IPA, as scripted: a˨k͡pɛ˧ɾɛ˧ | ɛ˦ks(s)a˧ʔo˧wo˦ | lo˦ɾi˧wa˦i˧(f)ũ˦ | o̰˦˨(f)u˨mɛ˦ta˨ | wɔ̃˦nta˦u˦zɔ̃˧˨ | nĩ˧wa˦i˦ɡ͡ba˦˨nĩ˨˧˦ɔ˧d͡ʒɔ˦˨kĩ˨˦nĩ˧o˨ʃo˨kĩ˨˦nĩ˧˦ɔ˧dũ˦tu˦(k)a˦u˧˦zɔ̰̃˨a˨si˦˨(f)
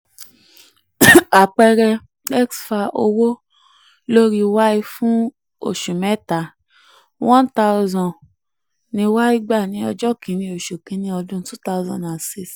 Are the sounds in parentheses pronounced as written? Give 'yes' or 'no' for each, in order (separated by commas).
no, yes, no, no, no